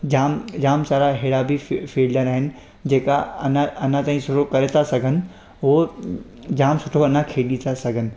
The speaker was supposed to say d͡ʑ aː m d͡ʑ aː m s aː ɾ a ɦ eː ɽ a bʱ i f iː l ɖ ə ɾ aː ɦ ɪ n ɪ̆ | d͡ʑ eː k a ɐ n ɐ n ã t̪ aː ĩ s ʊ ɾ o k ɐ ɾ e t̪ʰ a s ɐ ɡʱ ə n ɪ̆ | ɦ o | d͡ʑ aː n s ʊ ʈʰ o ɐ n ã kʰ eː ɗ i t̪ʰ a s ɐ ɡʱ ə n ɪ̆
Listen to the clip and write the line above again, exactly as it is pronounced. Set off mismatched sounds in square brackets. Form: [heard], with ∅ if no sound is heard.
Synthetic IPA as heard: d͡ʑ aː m d͡ʑ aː m s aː ɾ a ɦ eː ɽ a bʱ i f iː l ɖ ə ɾ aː ɦ ɪ n ɪ̆ | d͡ʑ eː k a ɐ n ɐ n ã t̪ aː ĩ s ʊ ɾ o k ɐ ɾ e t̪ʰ a s ɐ ɡʱ ə n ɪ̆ | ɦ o | d͡ʑ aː [m] s ʊ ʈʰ o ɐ n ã kʰ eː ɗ i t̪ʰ a s ɐ ɡʱ ə n ɪ̆